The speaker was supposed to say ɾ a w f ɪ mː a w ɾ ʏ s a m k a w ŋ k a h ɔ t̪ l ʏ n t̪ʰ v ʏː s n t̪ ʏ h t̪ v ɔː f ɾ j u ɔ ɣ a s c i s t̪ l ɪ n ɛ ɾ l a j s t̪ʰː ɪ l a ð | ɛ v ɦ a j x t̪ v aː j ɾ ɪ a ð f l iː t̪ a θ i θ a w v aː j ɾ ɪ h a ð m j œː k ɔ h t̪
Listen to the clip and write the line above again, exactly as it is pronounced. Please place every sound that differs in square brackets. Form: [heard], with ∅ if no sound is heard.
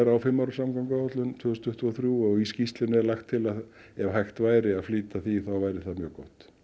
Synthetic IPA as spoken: ɾ a w f ɪ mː a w ɾ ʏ s a m k a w ŋ k a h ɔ t̪ l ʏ n t̪ʰ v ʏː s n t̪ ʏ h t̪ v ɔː [θ] ɾ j u ɔ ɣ [i] s c i s t̪ l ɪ n ɛ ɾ l a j [x] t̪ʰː ɪ l a ð | ɛ v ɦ a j x t̪ v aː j ɾ ɪ a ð f l iː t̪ a θ i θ a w v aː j ɾ ɪ [θ] a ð m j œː k ɔ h t̪